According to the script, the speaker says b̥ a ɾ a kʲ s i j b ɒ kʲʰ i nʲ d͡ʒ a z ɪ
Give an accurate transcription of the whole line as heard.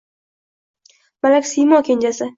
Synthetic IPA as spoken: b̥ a l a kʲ s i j m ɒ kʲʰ e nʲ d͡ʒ a s ɪ

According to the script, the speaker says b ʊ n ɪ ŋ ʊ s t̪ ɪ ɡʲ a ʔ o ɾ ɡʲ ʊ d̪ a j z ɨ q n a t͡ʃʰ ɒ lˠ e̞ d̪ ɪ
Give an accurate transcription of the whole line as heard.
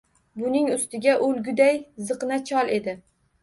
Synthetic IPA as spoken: b ʊ n ɪ ŋ ʊ s t̪ ɪ ɡʲ a ʔ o l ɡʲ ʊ d̪ a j z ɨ q n a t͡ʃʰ ɒ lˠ e̞ d̪ ɪ

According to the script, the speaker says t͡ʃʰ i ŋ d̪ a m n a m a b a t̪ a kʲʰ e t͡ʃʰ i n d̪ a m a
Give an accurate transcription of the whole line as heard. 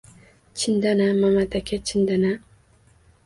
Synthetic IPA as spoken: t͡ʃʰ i n d̪ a n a m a m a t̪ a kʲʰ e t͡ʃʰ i n d̪ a n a

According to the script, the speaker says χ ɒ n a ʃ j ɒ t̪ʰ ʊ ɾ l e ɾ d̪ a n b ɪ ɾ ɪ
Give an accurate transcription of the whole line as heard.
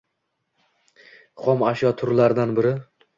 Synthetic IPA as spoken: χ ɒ m a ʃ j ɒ t̪ʰ ʊ ɾ l a ɾ d̪ a n b ɪ ɾ ɪ

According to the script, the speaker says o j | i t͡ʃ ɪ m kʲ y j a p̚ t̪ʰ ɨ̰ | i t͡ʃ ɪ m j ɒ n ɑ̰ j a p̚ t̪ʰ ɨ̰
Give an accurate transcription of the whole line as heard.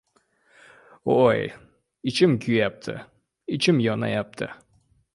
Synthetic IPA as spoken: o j | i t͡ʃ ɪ m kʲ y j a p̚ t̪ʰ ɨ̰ | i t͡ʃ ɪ m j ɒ n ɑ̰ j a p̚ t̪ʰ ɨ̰

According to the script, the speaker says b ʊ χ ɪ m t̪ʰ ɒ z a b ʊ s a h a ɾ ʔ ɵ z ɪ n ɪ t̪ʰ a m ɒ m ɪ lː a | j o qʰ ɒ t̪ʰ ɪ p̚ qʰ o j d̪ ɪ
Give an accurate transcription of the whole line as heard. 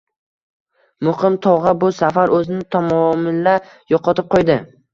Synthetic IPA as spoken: m ʊ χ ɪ m t̪ʰ ɒ ʁ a b ʊ s a f a ɾ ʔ ɵ z ɪ n ɪ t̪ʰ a m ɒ m ɪ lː a | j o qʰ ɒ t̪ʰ ɪ p̚ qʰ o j d̪ ɪ

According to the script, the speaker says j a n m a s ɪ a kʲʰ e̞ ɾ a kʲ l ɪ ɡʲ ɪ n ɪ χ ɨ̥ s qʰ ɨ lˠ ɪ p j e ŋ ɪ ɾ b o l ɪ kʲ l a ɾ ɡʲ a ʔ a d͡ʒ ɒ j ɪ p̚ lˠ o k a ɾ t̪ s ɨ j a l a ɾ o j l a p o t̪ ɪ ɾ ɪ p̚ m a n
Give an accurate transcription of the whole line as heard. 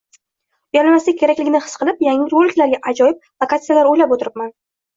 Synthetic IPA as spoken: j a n m a s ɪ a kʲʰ e̞ ɾ a kʲ l ɪ ɡʲ ɪ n ɪ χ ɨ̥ s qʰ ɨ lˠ ɪ p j a ŋ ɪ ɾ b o l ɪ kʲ l a ɾ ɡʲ a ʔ a d͡ʒ ɒ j ɪ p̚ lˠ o k a t̪ s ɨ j a l a ɾ o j l a p o t̪ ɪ ɾ ɪ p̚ m a n

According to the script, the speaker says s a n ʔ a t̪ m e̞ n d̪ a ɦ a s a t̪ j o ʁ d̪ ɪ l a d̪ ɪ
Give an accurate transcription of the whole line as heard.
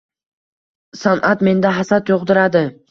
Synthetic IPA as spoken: s a n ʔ a t̪ m e̞ n d̪ a ɦ a s a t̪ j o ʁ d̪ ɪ ɾ a d̪ ɪ

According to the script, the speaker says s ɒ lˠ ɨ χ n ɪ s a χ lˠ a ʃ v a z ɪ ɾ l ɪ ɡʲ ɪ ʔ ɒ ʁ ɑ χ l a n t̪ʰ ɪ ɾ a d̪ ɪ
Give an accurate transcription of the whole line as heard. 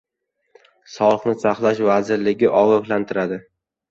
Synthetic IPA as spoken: s ɒ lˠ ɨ χ n ɪ s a χ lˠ a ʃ v a z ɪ ɾ l ɪ ɡʲ ɪ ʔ ɒ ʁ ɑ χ l a n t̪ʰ ɪ ɾ a d̪ ɪ

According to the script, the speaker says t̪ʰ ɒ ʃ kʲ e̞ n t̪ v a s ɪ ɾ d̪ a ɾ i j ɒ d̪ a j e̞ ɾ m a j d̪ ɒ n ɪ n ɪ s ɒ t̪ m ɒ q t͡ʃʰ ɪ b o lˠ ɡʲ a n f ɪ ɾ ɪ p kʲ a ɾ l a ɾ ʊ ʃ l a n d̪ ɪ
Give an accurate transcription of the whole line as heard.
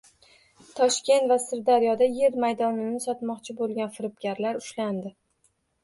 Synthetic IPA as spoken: t̪ʰ ɒ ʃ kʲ e̞ n t̪ v a s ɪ ɾ d̪ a ɾ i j ɒ d̪ a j e̞ ɾ m a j d̪ ɒ n ɪ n ɪ s ɒ t̪ m ɒ q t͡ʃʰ ɪ b o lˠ ɡʲ a n f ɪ ɾ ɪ p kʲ a ɾ l a ɾ ʊ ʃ l a n d̪ ɪ

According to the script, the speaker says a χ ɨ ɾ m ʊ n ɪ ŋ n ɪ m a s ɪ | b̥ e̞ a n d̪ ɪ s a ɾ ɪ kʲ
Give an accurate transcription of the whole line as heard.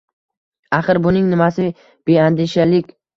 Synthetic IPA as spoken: a χ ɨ ɾ b ʊ n ɪ ŋ n ɪ m a s ɪ | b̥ e̞ a n d̪ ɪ ʃ a l ɪ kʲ

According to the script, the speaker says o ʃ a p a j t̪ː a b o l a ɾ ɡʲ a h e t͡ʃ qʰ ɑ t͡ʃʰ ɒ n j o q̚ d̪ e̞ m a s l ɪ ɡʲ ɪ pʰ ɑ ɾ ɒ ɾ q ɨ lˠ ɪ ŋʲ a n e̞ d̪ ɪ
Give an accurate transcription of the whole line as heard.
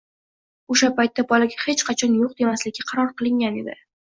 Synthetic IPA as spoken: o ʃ a p a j t̪ː a b ɒ l a ɡʲ a h e t͡ʃ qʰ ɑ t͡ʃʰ ɒ n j o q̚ d̪ e̞ m a s l ɪ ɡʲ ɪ qʰ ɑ ɾ ɒ ɾ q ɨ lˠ ɪ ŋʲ a n e̞ d̪ ɪ

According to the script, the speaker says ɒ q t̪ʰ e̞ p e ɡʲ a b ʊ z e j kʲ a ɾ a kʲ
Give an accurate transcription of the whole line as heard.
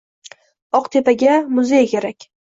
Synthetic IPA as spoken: ɒ q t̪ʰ e̞ p a ɡʲ a m ʊ z e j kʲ e ɾ a kʲ

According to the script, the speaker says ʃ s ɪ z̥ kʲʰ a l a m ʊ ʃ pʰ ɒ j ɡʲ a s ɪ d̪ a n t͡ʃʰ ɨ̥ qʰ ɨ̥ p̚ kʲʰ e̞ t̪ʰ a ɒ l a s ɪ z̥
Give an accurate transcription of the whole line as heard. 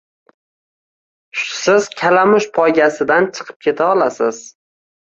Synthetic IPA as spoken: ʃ s ɪ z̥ kʲʰ a l a m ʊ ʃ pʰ ɒ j ɡʲ a s ɪ d̪ a n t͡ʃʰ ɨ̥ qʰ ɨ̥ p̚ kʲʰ e̞ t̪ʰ a ɒ l a s ɪ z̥

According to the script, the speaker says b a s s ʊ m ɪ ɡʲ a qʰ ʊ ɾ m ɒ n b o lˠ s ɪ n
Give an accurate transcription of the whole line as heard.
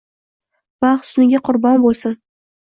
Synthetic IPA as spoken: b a χ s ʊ n ɪ ɡʲ a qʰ ʊ ɾ b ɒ n b o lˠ s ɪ n

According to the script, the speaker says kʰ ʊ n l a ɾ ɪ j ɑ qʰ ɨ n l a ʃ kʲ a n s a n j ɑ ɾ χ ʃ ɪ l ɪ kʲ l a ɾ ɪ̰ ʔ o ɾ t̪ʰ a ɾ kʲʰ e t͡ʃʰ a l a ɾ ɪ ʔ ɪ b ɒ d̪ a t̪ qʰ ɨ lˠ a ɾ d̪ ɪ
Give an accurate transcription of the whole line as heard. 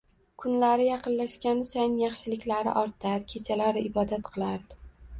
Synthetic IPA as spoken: kʰ ʊ n l a ɾ ɪ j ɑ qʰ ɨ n l a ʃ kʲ a n s a n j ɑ χ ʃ ɪ l ɪ kʲ l a ɾ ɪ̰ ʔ ɒ ɾ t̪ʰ a ɾ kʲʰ e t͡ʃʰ a l a ɾ ɪ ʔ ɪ b ɒ d̪ a t̪ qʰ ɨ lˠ a ɾ d̪ ɪ

